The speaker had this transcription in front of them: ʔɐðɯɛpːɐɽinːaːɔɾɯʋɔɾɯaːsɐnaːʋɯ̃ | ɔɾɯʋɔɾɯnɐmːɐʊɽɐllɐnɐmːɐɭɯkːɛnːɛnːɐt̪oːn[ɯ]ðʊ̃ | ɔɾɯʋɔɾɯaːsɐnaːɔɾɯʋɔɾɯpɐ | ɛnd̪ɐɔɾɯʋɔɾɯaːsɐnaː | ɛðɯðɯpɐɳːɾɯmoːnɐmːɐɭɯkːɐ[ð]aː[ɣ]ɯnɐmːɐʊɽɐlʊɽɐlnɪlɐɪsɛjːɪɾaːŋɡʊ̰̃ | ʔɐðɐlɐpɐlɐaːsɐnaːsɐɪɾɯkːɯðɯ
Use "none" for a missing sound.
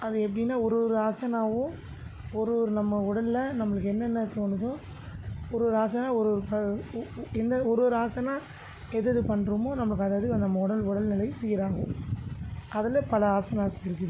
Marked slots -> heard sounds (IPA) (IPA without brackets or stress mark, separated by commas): ɯ, ð, ð